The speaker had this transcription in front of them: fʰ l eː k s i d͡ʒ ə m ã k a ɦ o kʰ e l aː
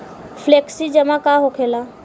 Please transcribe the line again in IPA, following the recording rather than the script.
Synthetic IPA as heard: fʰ l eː k s i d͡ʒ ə m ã k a ɦ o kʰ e l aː